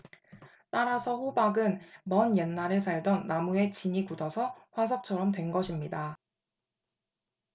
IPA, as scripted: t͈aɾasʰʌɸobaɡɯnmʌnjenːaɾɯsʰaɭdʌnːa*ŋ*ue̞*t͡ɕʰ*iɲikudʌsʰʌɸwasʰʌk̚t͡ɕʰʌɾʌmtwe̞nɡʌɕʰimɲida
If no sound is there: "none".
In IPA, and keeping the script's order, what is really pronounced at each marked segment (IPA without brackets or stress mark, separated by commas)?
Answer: m, t͡ɕ